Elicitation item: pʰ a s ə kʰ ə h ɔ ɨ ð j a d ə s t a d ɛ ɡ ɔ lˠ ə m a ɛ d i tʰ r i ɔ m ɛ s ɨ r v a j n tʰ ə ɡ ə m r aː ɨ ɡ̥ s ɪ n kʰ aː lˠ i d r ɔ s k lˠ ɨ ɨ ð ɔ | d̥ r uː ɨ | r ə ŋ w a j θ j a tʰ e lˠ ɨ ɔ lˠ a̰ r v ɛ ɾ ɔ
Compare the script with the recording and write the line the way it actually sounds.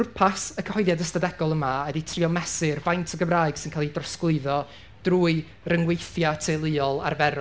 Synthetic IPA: pʰ a s ə kʰ ə h ɔ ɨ ð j a d ə s t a d ɛ ɡ ɔ lˠ ə m a ɛ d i tʰ r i ɔ m ɛ s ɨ r v a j n tʰ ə ɡ ə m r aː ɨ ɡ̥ s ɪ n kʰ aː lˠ i d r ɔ s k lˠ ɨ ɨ ð ɔ | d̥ r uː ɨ | r ə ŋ w e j θ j a tʰ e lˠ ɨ ɔ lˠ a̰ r v ɛ ɾ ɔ